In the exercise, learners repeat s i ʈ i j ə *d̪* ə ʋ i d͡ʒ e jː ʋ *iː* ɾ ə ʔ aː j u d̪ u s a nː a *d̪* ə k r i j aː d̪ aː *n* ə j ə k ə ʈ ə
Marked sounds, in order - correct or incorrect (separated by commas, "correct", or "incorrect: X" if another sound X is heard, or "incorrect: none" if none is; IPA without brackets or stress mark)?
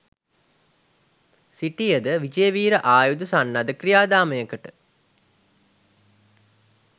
correct, correct, correct, incorrect: m